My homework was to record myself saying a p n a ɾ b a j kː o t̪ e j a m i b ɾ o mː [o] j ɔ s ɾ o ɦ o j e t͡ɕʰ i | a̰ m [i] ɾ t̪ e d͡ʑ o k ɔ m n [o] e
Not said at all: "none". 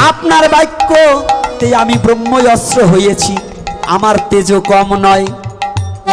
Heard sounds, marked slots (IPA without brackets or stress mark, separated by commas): o, a, ɔ